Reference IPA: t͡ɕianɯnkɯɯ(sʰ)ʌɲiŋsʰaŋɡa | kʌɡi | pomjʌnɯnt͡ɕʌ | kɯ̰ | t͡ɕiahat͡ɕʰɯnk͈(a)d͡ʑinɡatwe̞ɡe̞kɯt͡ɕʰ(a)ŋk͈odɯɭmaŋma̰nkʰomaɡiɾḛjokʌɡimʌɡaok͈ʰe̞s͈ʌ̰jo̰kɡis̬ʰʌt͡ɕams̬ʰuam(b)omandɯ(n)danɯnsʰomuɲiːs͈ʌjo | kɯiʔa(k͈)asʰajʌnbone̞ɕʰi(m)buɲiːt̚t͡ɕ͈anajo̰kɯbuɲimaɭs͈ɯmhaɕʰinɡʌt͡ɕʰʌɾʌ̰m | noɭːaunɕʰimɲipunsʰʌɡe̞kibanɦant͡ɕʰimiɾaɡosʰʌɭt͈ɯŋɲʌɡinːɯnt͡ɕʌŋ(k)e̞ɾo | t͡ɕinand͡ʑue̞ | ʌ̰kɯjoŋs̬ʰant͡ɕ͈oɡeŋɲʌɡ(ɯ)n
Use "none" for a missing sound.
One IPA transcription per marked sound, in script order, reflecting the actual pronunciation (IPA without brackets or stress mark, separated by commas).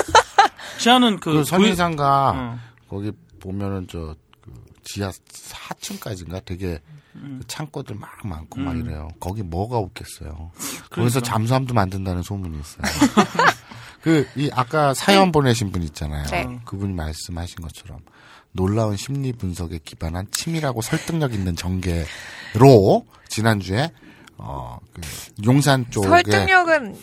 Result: sʰ, a, a, d, n, k͈, n, ɡ, ɯ